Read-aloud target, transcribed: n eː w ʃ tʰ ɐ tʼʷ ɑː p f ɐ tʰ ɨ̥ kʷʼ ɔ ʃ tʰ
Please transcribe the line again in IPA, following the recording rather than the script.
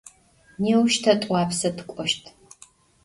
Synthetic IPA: n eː w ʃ tʰ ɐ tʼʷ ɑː p s ɐ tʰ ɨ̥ kʷʼ ɔ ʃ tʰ